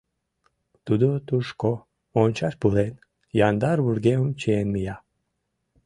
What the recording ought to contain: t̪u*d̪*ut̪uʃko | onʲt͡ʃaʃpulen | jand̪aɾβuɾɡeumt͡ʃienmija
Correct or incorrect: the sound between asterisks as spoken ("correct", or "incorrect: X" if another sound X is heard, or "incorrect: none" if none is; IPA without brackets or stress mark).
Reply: correct